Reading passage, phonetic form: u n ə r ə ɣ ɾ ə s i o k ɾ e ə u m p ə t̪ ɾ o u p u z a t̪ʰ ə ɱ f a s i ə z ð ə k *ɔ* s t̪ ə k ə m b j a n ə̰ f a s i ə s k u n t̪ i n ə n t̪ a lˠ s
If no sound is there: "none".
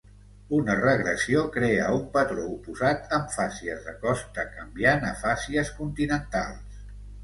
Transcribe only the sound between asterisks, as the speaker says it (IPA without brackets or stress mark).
ɔ